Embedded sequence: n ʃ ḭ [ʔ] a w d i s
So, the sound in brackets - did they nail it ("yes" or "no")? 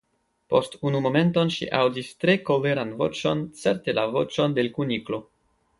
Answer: yes